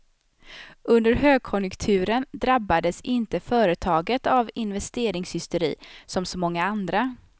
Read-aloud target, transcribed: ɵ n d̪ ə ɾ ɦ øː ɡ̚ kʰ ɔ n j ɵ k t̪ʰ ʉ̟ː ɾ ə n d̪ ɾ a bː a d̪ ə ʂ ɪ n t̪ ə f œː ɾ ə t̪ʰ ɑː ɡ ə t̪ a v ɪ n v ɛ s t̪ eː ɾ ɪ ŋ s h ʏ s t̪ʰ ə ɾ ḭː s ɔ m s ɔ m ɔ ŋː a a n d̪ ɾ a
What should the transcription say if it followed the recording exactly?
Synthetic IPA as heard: ɵ n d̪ ə ɾ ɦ øː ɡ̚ kʰ ɔ n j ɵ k t̪ʰ ʉ̟ː ɾ ə n d̪ ɾ a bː a d̪ ə s ɪ n t̪ ə f œː ɾ ə t̪ʰ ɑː ɡ ə t̪ a v ɪ n v ɛ s t̪ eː ɾ ɪ ŋ s h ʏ s t̪ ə ɾ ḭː s ɔ m s ɔ m ɔ ŋː a a n d̪ ɾ a

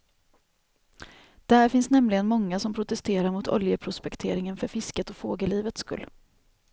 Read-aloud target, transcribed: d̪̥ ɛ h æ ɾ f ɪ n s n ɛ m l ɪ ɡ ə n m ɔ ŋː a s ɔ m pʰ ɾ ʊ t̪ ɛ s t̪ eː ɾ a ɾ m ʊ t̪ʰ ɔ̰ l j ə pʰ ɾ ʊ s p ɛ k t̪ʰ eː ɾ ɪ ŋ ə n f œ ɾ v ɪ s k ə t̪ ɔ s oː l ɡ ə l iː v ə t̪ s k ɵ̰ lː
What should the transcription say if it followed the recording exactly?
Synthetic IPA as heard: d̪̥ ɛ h æ ɾ f ɪ n s n ɛ m l ɪ ɡ ə n m ɔ ŋː a s ɔ m pʰ ɾ ʊ t̪ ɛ s t̪ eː ɾ a ɾ m ʊ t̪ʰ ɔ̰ l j ə pʰ ɾ ʊ s p ɛ k t̪ʰ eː ɾ ɪ ŋ ə n f œ ɾ f ɪ s k ə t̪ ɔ f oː ɡ ə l iː v ə t̪ s k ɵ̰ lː

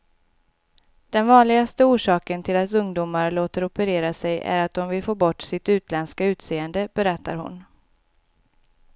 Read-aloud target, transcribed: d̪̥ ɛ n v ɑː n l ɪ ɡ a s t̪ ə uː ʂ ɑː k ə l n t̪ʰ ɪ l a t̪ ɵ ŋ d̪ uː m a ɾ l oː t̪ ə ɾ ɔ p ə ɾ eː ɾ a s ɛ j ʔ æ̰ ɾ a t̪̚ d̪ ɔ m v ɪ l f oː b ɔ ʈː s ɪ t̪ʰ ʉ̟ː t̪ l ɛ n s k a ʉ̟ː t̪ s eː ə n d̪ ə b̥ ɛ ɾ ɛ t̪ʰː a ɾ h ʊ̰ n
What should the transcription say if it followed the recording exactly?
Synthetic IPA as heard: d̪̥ ɛ n v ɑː n l ɪ ɡ a s t̪ ə uː ʂ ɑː k ə n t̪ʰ ɪ l a t̪ ɵ ŋ d̪ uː m a ɾ l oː t̪ ə ɾ ɔ p ə ɾ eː ɾ a s ɛ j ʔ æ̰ ɾ a t̪̚ d̪ ɔ m v ɪ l f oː b ɔ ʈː s ɪ t̪ ʉ̟ː t̪ l ɛ n s k a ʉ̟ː t̪ s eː ə n d̪ ə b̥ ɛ ɾ ɛ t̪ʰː a ɾ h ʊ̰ n

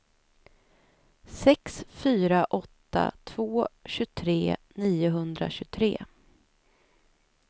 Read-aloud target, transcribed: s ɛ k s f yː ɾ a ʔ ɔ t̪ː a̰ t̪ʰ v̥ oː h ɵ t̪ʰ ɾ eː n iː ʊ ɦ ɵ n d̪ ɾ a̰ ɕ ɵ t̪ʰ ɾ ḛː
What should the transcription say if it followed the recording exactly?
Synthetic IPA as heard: s ɛ k s f yː ɾ a ʔ ɔ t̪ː a̰ t̪ʰ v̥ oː ɕ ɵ t̪ʰ ɾ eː n iː ʊ ɦ ɵ n d̪ ɾ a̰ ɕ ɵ t̪ʰ ɾ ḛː

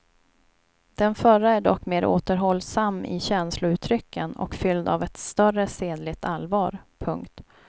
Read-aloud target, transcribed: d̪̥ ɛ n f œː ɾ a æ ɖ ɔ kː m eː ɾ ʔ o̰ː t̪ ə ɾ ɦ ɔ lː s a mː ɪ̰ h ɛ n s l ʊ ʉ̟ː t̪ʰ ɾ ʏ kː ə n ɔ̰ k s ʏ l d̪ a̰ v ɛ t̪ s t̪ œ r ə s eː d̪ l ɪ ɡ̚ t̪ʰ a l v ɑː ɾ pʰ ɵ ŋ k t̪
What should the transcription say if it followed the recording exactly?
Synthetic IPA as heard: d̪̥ ɛ n f œ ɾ a æ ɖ ɔ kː m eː ɾ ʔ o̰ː t̪ ə ɾ ɦ ɔ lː s a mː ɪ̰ ɕ ɛ n s l ʊ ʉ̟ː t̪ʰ ɾ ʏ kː ə n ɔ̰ k f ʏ l d̪ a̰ v ɛ t̪ s t̪ œ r ə s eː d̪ l ɪ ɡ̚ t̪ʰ a l v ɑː ɾ pʰ ɵ ŋ k t̪

